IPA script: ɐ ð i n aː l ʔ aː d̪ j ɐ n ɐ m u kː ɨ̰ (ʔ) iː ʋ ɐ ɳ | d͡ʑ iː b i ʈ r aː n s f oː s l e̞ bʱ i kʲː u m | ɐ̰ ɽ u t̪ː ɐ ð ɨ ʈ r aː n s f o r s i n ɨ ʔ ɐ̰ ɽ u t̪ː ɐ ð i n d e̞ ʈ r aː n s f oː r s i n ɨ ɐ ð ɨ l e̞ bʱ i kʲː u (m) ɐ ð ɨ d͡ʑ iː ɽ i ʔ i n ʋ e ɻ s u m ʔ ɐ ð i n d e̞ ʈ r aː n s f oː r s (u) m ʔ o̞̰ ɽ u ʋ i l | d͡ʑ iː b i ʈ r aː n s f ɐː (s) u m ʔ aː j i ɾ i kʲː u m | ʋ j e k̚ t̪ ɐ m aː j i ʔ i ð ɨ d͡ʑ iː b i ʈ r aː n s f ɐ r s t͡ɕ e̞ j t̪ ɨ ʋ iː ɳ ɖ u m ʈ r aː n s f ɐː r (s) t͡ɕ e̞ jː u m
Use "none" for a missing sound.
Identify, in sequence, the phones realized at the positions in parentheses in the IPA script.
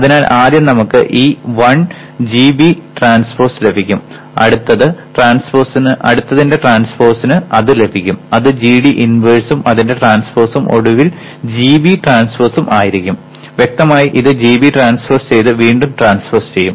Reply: ʔ, m, u, s, s

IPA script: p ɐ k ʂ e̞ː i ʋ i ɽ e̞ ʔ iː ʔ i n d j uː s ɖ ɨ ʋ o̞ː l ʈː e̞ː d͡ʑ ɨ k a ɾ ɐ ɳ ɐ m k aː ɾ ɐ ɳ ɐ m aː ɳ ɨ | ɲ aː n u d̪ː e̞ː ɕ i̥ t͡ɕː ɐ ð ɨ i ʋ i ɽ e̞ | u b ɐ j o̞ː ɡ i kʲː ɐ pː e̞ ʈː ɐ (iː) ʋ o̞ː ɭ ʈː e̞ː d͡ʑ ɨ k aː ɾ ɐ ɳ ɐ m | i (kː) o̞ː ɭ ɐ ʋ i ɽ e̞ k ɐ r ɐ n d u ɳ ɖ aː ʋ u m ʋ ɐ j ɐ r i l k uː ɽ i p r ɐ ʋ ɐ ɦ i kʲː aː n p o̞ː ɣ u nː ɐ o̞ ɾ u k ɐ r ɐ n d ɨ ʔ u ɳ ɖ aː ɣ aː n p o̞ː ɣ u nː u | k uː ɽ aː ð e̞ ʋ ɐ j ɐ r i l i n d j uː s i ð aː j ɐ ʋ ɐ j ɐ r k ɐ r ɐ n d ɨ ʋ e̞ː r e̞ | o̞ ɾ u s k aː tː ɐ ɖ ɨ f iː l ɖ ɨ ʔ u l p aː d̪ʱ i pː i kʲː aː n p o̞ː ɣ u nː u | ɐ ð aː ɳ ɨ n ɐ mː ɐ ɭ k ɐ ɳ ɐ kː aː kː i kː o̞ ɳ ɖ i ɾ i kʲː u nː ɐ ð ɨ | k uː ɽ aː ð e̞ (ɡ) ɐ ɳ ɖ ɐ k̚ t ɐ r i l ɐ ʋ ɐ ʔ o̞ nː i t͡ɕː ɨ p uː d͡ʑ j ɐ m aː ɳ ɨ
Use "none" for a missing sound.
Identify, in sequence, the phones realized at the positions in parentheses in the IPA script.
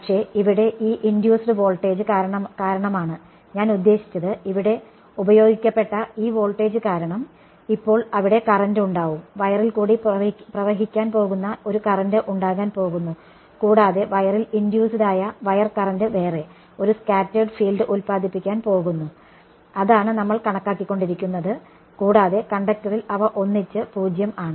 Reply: iː, pː, k

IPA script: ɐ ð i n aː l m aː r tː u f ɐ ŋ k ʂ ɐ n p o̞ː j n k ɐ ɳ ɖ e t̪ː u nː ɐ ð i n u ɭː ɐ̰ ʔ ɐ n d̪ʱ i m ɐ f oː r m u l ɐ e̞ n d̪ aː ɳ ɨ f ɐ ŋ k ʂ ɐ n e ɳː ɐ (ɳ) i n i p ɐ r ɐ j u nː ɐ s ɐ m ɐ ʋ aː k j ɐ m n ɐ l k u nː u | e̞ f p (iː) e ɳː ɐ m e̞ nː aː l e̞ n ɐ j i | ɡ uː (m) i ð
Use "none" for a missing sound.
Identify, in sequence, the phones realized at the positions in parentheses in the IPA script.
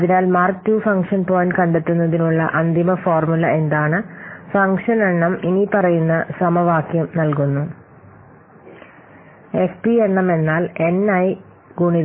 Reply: m, i, ɳ

